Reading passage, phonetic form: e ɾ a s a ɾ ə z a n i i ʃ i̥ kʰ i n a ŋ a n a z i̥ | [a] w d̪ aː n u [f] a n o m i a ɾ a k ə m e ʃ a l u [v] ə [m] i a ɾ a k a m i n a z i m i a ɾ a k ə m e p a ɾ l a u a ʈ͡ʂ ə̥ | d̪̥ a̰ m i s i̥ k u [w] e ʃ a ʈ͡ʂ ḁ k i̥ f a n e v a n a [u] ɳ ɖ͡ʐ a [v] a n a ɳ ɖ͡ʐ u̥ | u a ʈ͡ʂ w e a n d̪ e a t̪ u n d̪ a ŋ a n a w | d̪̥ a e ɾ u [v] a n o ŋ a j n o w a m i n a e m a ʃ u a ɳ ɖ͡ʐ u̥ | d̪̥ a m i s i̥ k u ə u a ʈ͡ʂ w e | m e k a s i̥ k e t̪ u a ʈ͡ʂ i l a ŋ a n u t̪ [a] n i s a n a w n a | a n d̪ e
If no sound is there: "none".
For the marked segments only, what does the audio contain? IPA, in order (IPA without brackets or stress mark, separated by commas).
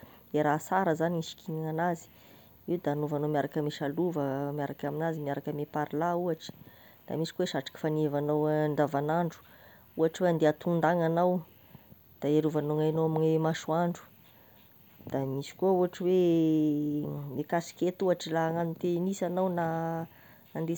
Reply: i, v, v, m, w, w, v, v, e